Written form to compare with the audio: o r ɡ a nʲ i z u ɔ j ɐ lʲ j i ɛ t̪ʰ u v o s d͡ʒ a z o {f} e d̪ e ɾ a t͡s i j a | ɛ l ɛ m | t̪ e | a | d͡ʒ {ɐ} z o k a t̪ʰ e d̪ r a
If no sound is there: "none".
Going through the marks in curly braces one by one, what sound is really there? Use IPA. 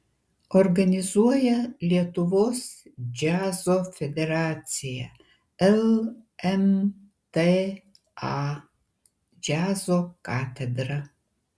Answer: f, a

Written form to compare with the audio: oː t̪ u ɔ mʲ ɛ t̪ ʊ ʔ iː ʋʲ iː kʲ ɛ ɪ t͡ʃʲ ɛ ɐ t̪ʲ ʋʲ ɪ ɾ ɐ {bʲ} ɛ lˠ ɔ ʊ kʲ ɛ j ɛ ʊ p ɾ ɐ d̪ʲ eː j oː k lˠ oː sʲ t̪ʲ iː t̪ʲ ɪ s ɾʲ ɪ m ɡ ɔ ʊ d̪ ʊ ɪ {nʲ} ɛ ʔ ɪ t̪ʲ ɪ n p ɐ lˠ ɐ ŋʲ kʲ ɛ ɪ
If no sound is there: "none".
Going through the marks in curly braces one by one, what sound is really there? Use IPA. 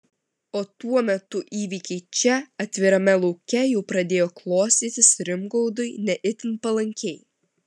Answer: mʲ, nʲ

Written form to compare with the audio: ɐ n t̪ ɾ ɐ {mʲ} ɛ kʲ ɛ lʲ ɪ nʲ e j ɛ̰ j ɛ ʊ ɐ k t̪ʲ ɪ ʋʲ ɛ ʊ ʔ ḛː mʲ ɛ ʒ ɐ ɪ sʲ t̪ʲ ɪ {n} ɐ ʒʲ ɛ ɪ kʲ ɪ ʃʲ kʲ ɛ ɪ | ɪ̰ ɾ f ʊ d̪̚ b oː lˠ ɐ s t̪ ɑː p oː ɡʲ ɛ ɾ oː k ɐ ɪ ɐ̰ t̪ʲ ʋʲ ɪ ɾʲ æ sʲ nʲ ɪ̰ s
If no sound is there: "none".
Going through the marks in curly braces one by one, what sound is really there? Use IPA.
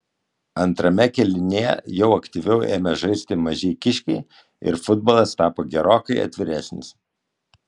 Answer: mʲ, m

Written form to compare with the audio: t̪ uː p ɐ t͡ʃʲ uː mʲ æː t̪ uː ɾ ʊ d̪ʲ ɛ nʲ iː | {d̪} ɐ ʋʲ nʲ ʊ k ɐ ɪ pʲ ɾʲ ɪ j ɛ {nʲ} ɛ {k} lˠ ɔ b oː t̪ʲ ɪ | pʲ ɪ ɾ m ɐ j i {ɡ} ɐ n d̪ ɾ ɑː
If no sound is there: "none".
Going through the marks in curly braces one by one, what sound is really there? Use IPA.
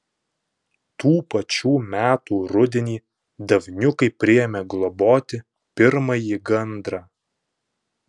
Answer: d̪, mʲ, ɡ, ɡ

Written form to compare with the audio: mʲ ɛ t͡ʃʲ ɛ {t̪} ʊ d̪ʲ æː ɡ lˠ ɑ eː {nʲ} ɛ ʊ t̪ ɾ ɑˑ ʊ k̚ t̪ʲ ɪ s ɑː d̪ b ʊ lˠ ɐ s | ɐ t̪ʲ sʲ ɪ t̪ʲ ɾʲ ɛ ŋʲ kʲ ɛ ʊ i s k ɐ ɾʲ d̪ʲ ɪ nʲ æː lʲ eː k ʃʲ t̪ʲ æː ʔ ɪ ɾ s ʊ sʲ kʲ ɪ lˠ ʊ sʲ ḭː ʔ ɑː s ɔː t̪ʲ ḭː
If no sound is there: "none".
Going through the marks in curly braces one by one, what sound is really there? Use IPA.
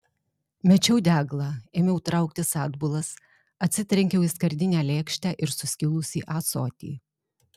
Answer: none, mʲ

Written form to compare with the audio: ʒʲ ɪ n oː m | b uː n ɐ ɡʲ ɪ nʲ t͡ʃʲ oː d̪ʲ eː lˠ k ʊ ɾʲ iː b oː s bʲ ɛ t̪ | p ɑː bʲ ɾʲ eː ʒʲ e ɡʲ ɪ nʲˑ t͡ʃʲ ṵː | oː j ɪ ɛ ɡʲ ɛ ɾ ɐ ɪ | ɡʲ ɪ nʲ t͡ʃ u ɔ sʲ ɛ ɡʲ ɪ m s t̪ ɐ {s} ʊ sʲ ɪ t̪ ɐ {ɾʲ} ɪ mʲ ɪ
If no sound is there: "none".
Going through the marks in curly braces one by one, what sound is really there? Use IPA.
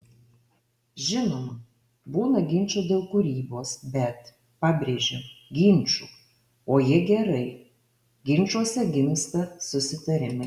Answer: s, ɾʲ

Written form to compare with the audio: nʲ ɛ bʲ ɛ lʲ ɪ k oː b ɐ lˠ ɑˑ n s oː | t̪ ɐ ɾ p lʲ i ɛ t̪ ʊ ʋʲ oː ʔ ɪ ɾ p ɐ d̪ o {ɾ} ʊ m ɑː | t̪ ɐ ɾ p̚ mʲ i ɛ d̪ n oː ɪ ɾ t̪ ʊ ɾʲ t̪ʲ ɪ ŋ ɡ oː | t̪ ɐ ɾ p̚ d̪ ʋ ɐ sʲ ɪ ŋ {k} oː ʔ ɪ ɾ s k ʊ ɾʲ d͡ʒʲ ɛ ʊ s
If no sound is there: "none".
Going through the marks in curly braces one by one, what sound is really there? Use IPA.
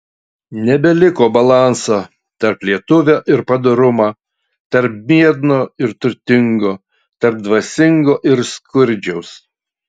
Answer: ɾ, ɡ

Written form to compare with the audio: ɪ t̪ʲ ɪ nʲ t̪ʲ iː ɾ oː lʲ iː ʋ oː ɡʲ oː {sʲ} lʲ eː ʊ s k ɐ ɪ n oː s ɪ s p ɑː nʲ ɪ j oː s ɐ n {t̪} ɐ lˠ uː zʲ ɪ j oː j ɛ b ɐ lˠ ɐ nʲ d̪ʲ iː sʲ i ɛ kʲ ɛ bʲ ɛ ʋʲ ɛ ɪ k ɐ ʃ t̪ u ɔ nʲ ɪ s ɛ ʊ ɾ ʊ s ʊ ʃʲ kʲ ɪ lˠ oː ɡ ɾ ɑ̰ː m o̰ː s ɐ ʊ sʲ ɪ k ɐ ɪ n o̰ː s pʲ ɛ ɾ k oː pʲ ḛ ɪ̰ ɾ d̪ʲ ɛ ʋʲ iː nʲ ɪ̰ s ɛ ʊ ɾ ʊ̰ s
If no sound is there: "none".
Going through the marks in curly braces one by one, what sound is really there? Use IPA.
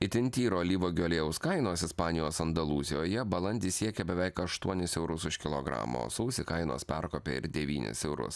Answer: none, d̪

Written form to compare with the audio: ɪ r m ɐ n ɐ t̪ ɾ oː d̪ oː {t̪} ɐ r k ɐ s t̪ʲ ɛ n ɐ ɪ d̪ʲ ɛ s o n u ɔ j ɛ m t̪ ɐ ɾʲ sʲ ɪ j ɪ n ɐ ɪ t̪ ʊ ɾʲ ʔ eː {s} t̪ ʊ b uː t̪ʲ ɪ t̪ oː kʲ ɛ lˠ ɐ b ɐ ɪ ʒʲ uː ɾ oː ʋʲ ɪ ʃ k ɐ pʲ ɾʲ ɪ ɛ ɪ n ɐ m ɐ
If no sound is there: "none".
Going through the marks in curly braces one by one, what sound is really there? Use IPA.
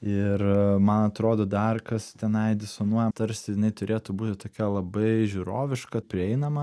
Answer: d̪, none

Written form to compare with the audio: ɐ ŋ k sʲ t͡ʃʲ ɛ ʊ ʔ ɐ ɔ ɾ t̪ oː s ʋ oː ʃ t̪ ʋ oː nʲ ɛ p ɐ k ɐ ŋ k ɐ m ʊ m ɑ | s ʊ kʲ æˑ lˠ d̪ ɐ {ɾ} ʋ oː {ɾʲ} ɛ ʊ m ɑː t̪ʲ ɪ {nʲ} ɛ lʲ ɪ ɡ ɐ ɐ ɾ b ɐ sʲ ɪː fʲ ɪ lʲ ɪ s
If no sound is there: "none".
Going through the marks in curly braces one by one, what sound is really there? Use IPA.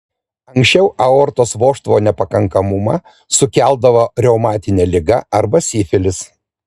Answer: none, ɾʲ, nʲ

